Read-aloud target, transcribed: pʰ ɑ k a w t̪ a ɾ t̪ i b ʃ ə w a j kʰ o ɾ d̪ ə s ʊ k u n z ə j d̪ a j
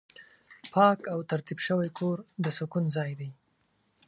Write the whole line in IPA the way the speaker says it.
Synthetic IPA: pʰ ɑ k a w t̪ a ɾ t̪ i b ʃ ə w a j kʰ o ɾ d̪ ə s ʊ k u n z ɑ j d̪ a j